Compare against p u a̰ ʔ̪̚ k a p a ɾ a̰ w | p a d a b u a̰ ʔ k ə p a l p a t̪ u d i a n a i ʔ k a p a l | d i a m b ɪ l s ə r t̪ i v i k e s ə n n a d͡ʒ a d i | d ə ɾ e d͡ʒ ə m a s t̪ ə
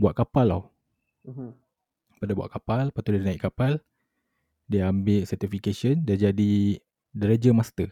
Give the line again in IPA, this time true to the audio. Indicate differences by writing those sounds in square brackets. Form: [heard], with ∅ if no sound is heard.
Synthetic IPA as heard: [b] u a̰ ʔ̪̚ k a p a [l] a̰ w | p a d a b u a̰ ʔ k [a] p a l p a t̪ u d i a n a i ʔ k a p a l | d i a m b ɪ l s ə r t̪ i [f] i k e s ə n [d] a d͡ʒ a d i | d ə ɾ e d͡ʒ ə m a s t̪ ə